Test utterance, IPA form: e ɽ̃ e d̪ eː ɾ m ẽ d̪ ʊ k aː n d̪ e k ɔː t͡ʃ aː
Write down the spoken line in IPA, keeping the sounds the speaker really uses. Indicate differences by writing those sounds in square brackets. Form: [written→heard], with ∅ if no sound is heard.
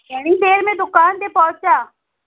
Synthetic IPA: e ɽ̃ [e→i] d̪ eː ɾ m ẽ d̪ ʊ k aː n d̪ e [k→p] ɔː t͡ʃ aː